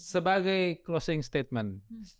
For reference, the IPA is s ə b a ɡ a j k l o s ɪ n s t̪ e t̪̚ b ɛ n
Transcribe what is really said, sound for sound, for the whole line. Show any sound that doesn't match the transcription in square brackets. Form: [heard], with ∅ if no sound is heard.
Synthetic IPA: s ə b a ɡ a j k l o s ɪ [ŋ] s t̪ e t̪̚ [m] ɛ n